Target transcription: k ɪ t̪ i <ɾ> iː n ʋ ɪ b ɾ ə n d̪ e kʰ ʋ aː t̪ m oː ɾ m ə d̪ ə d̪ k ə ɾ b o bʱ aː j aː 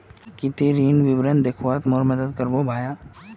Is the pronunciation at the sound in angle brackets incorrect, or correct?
correct